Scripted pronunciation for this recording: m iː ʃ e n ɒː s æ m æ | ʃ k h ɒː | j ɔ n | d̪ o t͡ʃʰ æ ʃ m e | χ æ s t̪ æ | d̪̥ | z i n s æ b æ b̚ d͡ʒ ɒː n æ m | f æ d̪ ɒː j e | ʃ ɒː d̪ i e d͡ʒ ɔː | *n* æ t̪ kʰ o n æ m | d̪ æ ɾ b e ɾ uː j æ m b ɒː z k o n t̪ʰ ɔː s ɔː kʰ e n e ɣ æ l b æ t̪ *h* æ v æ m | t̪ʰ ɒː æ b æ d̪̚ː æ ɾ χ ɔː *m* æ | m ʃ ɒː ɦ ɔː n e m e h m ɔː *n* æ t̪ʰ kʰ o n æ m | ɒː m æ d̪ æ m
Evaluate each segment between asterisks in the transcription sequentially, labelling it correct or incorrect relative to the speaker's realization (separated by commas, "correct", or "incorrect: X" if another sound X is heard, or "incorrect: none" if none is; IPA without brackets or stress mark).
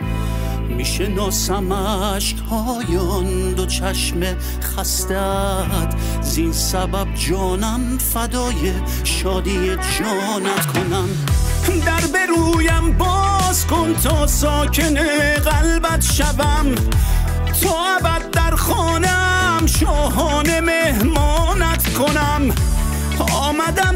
correct, incorrect: ʃ, incorrect: n, correct